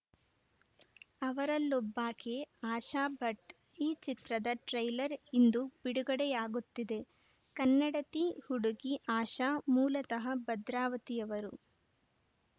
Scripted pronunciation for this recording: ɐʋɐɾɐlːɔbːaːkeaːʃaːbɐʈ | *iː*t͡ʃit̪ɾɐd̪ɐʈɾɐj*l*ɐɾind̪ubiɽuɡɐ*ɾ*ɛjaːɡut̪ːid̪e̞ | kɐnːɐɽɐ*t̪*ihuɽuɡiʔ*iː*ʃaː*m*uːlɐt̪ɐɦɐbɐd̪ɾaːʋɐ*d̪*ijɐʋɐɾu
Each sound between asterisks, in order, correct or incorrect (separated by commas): correct, correct, incorrect, correct, incorrect, correct, incorrect